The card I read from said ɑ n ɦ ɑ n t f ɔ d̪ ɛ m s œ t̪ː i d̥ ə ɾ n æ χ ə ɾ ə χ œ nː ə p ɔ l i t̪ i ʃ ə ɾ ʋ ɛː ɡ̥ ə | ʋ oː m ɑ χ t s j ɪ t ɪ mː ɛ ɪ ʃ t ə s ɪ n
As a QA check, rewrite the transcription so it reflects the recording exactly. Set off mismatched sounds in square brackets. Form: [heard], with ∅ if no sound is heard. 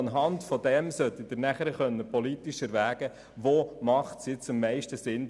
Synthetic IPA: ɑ n ɦ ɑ n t f ɔ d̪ ɛ m s œ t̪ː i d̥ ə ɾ n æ χ ə ɾ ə χ œ nː ə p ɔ l i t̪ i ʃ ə ɾ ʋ [æː] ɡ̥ ə | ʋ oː m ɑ χ t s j ɪ [t͡s] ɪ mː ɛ ɪ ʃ t ə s ɪ n